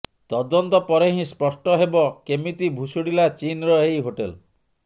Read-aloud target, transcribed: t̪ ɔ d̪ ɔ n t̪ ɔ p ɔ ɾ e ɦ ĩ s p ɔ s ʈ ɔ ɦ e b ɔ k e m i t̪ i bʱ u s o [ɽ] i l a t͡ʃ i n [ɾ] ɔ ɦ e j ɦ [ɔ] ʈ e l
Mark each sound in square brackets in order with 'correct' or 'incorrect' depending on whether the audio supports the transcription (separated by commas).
correct, correct, incorrect